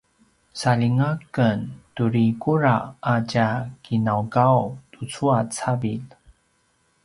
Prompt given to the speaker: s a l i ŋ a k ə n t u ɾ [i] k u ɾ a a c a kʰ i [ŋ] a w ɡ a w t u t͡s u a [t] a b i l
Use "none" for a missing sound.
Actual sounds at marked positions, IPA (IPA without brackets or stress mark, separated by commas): i, n, t͡s